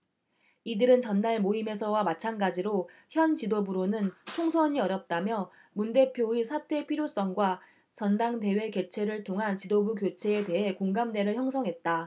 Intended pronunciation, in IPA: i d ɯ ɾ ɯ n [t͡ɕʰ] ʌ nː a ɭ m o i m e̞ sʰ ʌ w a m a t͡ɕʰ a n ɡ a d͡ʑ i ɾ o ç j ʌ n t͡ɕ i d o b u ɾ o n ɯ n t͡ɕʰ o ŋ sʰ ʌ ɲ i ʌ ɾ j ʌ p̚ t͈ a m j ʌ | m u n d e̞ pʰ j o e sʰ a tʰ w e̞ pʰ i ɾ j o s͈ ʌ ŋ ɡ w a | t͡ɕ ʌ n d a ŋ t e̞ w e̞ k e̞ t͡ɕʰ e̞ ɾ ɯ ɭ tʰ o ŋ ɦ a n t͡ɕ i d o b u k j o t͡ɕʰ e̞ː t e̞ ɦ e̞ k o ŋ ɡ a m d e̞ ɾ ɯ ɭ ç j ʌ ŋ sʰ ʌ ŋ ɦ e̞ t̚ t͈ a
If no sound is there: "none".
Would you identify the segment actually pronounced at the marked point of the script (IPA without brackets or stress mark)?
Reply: t͡ɕ